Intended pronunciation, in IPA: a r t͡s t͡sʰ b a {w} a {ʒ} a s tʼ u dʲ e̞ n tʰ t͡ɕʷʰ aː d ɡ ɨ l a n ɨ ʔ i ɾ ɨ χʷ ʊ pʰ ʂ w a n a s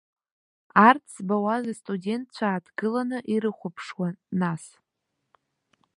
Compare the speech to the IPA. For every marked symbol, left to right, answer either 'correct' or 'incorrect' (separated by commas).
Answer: correct, incorrect